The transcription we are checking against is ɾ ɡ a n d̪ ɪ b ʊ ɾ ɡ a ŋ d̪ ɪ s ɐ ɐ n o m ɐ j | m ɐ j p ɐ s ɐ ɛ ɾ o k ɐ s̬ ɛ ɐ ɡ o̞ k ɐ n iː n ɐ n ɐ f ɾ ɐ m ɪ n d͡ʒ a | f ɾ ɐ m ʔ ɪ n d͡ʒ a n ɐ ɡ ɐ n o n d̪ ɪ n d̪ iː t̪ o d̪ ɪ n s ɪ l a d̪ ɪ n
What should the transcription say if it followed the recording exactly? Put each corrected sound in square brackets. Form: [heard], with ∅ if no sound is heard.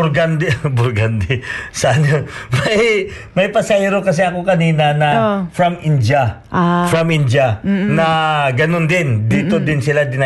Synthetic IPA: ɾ ɡ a n d̪ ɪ b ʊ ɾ ɡ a [n] d̪ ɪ s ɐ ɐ n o m ɐ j | m ɐ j p ɐ s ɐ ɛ ɾ o k ɐ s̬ ɛ ɐ [k] o̞ k ɐ n iː n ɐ n ɐ f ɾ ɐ m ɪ n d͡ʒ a | f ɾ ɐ m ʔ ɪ n d͡ʒ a n ɐ ɡ ɐ n o n d̪ ɪ n d̪ iː t̪ o d̪ ɪ n s ɪ l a d̪ ɪ n